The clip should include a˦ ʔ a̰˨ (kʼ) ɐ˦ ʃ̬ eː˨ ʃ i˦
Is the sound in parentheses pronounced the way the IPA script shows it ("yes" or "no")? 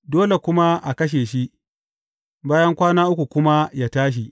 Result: no